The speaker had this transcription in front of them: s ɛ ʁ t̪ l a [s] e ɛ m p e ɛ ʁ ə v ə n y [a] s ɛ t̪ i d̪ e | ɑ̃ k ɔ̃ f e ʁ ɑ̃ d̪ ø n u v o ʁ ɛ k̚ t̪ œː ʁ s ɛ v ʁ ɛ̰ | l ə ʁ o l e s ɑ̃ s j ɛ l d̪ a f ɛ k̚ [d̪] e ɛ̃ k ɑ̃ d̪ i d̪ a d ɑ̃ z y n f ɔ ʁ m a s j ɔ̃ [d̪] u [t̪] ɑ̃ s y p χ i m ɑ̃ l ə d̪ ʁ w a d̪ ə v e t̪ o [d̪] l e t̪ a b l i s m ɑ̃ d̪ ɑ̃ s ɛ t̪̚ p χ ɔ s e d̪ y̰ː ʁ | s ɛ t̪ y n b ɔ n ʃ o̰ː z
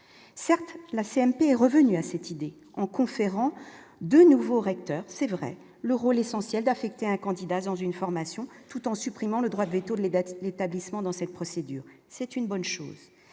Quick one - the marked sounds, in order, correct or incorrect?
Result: correct, correct, incorrect: t̪, incorrect: t̪, correct, correct

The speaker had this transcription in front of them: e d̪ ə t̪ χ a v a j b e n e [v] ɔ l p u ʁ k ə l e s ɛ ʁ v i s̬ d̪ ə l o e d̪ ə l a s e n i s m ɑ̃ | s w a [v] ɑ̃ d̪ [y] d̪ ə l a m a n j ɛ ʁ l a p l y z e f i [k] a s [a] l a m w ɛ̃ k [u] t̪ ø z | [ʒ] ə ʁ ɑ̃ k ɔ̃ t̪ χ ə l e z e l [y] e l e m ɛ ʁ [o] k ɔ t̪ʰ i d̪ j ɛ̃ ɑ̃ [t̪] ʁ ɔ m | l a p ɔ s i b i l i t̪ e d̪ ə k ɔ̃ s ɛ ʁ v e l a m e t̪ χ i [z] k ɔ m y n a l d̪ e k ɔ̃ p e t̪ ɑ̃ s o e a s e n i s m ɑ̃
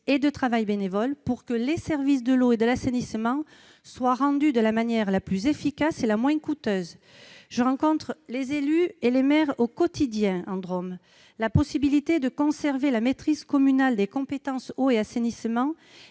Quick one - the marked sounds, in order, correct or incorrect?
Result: correct, incorrect: ʁ, correct, correct, incorrect: e, correct, correct, correct, correct, incorrect: d̪, correct

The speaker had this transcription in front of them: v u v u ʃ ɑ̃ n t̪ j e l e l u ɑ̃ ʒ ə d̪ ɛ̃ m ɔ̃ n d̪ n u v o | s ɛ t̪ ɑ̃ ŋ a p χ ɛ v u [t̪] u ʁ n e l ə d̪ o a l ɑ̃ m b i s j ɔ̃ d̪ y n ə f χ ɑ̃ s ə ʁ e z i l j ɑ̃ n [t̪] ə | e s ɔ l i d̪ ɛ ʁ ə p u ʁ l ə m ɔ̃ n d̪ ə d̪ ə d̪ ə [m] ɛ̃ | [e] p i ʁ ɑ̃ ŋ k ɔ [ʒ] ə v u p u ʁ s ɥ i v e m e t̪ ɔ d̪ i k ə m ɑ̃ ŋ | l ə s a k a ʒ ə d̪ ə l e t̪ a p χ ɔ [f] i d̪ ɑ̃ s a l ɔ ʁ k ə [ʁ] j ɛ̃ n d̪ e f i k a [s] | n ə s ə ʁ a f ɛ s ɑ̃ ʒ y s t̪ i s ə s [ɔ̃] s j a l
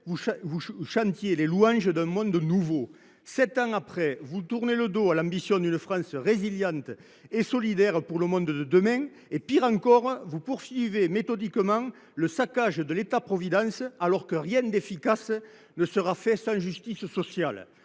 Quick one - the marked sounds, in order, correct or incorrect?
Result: correct, correct, correct, correct, incorrect: ʁ, incorrect: v, correct, correct, incorrect: ɔ

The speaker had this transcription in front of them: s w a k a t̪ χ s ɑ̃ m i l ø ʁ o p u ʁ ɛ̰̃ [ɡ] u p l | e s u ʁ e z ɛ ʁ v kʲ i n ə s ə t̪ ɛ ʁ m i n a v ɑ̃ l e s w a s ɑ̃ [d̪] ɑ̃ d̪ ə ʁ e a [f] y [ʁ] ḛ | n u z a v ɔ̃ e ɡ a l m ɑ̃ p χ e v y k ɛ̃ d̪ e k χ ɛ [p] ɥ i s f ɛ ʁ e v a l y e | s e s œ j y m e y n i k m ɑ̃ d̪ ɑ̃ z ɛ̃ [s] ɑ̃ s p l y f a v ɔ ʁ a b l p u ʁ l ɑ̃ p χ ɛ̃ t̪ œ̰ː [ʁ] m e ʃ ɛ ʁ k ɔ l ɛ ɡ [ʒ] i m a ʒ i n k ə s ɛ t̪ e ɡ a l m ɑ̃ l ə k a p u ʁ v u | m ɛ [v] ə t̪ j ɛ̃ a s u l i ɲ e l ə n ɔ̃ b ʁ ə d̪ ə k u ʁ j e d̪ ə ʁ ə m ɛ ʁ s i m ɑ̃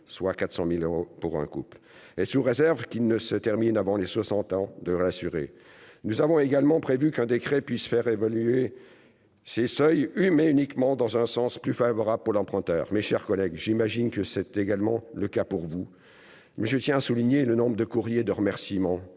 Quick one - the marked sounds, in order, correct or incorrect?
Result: incorrect: k, incorrect: t̪, incorrect: s, correct, correct, correct, correct, correct, incorrect: ʒ

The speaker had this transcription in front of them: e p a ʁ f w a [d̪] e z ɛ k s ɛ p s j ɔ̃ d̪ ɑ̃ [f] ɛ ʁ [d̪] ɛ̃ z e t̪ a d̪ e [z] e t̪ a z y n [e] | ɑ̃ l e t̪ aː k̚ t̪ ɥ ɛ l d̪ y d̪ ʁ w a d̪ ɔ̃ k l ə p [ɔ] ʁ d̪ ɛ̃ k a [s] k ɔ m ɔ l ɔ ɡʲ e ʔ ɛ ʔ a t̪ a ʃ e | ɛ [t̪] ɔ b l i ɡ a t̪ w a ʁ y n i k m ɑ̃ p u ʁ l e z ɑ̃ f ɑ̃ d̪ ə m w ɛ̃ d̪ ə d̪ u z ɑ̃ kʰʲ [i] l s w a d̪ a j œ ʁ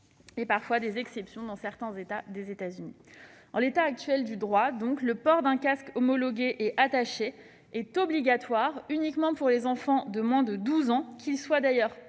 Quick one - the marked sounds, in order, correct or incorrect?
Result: correct, incorrect: s, incorrect: t̪, correct, incorrect: i, correct, correct, correct, correct

